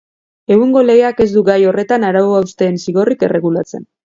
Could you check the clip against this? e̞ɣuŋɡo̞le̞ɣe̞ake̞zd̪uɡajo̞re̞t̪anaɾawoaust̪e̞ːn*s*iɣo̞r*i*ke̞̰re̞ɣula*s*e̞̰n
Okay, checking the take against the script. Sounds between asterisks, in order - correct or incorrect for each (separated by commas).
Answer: correct, correct, incorrect